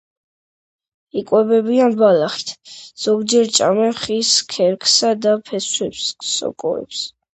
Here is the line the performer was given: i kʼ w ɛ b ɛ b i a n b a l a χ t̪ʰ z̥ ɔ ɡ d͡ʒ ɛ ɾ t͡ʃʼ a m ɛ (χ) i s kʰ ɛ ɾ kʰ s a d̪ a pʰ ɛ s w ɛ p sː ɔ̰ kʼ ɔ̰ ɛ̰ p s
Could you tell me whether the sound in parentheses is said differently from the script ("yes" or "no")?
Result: no